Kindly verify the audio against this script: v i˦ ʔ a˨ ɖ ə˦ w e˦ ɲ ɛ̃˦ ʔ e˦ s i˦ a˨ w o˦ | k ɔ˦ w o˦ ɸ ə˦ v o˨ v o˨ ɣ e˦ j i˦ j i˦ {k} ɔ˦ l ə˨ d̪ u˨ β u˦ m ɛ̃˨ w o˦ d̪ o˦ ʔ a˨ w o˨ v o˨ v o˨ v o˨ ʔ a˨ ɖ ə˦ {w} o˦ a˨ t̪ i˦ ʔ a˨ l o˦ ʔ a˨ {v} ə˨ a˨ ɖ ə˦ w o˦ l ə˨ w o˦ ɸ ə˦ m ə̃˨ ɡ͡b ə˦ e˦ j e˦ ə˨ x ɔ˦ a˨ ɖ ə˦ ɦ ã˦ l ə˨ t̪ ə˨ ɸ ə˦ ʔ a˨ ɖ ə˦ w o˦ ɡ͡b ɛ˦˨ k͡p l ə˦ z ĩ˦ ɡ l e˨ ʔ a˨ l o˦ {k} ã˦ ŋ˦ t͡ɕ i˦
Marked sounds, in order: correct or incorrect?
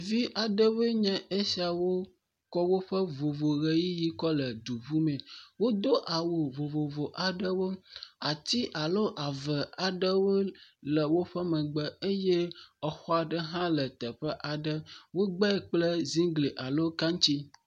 correct, correct, correct, correct

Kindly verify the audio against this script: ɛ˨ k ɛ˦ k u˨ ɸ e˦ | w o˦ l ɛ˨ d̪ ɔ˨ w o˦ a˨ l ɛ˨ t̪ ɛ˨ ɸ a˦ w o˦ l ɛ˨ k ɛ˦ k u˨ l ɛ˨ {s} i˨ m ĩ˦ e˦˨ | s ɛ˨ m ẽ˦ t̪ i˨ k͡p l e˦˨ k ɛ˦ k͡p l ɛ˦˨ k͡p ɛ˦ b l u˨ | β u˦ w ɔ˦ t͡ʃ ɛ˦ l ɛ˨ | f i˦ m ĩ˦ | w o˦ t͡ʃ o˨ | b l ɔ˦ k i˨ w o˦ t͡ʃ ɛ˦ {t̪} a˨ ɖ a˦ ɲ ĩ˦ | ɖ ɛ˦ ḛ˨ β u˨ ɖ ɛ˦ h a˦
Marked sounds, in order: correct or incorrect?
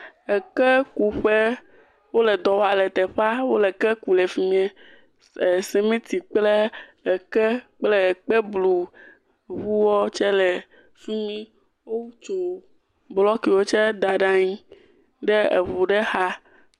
incorrect: f, incorrect: d̪

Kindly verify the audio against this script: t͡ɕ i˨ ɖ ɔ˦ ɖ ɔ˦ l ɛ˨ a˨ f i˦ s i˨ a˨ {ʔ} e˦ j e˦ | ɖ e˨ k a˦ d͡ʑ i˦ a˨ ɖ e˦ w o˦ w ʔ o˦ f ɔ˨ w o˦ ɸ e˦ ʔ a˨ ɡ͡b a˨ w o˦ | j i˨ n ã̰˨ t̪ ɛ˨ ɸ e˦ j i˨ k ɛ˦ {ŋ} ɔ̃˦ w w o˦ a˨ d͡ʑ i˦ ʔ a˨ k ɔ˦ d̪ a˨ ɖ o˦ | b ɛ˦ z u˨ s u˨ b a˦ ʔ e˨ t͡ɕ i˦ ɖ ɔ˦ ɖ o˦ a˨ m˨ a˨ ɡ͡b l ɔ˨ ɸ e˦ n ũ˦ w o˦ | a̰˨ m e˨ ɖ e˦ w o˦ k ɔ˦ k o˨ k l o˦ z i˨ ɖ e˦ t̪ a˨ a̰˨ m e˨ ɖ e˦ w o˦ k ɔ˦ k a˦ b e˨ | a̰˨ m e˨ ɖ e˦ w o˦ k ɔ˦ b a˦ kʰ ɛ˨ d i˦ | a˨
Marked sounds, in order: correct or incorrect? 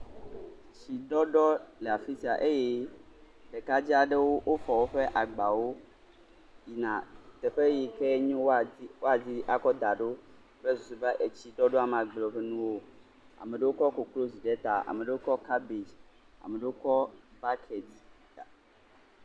correct, incorrect: ɲ

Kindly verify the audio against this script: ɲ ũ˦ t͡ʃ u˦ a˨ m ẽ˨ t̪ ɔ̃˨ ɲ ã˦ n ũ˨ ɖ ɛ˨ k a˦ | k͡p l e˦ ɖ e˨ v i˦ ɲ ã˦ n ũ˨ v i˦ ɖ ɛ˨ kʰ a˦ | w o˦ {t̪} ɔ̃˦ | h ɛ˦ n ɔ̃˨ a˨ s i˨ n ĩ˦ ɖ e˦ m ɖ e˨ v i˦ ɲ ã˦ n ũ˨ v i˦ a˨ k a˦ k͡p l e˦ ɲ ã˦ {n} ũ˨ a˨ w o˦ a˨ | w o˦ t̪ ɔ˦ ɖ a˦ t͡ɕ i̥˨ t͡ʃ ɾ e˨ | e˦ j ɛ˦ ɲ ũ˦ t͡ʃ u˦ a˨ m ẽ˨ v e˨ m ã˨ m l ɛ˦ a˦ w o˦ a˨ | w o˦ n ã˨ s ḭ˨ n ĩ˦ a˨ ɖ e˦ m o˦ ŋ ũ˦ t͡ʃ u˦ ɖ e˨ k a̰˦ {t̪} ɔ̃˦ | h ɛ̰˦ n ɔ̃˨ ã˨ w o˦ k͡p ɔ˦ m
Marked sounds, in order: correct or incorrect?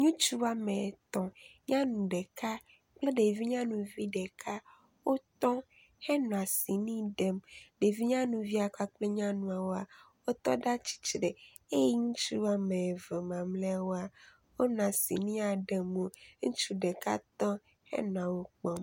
correct, correct, correct

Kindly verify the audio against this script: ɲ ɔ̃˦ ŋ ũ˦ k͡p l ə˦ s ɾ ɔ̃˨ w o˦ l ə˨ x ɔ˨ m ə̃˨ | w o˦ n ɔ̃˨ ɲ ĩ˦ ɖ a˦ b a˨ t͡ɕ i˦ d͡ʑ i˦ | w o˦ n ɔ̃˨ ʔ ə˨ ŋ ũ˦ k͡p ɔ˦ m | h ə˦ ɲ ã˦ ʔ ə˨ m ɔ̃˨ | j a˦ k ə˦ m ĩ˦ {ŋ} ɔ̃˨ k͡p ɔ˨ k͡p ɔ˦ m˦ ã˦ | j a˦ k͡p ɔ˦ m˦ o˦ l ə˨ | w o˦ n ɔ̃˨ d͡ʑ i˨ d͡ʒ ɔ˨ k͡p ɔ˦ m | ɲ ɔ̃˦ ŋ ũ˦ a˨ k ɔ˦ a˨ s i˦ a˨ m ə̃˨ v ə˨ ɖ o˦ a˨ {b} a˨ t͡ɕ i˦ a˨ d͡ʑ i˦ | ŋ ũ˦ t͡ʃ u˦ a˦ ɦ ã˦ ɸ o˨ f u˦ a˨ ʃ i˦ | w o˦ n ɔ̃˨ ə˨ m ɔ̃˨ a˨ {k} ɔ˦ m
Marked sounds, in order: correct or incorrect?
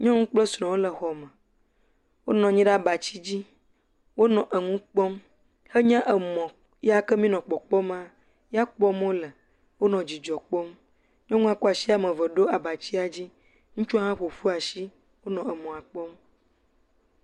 incorrect: n, correct, incorrect: k͡p

